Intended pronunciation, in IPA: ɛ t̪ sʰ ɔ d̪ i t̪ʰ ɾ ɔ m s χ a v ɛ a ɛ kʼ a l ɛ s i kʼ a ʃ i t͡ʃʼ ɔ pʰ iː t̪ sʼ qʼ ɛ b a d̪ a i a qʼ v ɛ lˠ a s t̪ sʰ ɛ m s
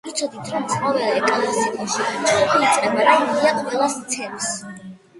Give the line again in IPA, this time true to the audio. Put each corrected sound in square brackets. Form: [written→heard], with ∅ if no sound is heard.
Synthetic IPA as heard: [ɛ→i] t̪ sʰ ɔ d̪ i t̪ʰ ɾ ɔ m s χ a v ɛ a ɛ kʼ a l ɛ s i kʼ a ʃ i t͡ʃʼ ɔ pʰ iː t̪ sʼ qʼ ɛ b a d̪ a i a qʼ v ɛ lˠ a s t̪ sʰ ɛ m s